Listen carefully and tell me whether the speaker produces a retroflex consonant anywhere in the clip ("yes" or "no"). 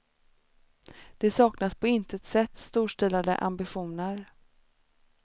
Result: yes